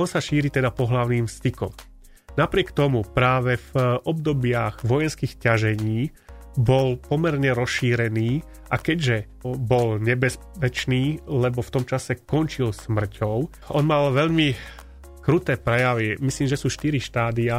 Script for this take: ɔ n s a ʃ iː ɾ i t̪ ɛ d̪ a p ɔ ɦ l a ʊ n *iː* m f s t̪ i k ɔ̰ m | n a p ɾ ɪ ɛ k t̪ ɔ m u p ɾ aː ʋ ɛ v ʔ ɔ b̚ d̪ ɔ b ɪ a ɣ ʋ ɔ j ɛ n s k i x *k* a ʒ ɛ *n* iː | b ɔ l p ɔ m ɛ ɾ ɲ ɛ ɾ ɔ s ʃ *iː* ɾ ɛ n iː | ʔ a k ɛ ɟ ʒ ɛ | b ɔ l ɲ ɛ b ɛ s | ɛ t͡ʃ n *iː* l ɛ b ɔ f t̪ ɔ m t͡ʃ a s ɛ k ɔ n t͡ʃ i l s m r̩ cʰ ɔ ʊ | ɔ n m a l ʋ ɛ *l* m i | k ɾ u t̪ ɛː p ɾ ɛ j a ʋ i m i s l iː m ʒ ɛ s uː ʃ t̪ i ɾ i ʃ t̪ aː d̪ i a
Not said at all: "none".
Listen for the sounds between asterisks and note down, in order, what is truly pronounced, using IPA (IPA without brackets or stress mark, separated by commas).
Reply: iː, c, ɲ, iː, iː, ʎ